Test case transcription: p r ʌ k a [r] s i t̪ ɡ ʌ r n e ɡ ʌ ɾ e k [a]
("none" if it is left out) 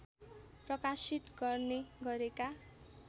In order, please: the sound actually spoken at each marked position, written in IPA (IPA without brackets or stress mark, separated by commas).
none, a